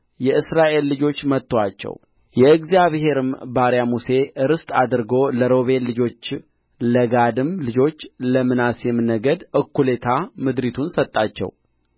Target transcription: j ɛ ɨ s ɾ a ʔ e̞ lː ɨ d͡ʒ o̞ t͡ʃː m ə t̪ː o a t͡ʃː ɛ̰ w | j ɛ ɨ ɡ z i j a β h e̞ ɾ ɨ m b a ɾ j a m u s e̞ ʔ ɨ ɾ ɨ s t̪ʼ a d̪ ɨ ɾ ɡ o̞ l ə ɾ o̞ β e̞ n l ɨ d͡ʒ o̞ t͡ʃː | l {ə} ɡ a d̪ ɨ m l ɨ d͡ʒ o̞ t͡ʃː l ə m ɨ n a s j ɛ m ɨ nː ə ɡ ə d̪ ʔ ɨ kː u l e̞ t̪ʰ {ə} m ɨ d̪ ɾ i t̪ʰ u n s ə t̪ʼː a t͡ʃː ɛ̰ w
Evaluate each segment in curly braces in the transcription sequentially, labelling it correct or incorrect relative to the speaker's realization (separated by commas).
correct, incorrect